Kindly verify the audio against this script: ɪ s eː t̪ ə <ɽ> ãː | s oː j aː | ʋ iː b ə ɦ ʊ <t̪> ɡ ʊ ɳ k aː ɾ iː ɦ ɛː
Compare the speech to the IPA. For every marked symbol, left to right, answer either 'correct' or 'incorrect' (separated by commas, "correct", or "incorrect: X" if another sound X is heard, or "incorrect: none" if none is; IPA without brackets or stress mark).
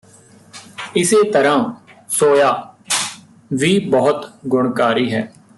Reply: incorrect: ɾ, correct